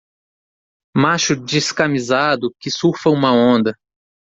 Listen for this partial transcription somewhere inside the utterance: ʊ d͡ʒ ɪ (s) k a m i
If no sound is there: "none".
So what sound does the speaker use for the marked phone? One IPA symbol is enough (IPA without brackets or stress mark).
s